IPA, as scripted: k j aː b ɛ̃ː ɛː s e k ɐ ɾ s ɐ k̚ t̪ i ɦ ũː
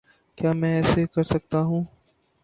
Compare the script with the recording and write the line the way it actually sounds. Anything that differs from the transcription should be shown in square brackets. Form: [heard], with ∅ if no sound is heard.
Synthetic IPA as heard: k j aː [m] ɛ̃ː ɛː s e k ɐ ɾ s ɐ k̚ t̪ [a] ɦ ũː